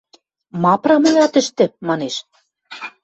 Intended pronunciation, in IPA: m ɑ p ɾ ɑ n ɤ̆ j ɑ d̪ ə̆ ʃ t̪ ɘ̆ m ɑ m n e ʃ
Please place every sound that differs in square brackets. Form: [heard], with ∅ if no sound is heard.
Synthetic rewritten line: m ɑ p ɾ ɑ [m] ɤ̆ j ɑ [t̪] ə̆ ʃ t̪ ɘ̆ m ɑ [∅] n e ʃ